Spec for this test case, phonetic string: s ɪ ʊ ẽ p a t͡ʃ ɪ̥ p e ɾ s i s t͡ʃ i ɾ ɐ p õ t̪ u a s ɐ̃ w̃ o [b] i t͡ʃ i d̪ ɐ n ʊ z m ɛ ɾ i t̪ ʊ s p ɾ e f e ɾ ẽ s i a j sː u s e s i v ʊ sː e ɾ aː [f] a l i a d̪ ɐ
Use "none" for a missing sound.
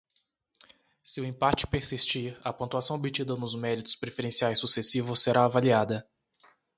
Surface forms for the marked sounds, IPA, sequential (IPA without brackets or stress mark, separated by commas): b, v